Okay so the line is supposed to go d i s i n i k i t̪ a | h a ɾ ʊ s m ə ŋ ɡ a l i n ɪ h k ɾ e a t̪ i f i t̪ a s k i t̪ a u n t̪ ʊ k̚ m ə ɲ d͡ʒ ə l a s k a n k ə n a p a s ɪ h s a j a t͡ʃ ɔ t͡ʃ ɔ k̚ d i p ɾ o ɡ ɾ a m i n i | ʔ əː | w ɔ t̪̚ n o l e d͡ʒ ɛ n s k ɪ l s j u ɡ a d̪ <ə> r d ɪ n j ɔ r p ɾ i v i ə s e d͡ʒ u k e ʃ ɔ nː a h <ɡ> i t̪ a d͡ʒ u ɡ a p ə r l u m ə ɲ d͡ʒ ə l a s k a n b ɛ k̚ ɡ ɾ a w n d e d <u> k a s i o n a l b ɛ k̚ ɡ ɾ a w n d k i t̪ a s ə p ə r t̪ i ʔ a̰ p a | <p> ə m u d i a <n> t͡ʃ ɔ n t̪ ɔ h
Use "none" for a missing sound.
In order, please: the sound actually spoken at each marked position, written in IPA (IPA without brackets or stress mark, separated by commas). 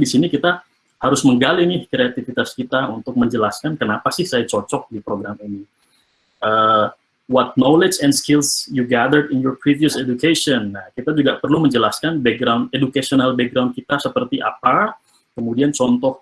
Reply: ə, k, u, k, n